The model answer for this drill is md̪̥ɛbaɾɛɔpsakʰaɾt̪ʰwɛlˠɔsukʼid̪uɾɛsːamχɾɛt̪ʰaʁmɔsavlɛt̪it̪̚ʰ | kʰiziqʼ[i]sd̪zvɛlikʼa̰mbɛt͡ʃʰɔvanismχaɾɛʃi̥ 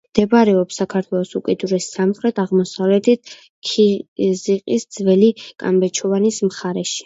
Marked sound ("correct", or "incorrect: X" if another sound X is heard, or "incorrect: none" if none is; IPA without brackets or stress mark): correct